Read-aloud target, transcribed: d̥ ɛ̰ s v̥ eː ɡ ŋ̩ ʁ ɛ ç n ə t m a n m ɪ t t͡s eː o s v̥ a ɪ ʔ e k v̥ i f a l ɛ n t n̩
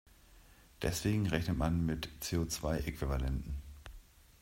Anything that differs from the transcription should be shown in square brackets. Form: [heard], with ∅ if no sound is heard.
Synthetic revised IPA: d̥ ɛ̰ s v̥ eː ɡ ŋ̩ ʁ ɛ ç n ə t m a n m ɪ t t͡s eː o [t͡s] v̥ a ɪ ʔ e k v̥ i [v] a l ɛ n t n̩